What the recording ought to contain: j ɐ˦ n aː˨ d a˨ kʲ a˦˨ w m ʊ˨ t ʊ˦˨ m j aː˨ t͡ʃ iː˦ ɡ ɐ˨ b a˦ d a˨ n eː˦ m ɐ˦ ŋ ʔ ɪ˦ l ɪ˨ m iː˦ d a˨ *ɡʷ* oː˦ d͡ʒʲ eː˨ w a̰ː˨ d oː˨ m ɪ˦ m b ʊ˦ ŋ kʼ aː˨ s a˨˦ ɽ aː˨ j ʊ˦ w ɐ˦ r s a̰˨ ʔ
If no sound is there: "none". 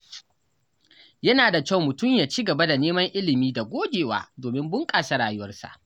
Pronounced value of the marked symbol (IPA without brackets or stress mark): ɡʷ